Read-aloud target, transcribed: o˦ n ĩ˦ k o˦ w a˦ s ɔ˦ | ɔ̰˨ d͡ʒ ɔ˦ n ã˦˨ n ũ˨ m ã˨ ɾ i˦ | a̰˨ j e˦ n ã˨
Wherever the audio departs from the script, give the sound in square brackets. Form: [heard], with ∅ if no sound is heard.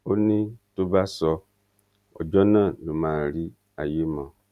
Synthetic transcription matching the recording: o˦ n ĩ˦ [t] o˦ [b] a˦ s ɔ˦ | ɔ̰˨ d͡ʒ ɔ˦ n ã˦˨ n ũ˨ m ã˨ ɾ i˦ | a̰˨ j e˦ [m] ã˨